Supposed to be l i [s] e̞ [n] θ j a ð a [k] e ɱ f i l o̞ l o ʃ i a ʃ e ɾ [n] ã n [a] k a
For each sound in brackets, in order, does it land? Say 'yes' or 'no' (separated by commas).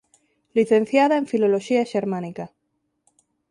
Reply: no, yes, no, no, no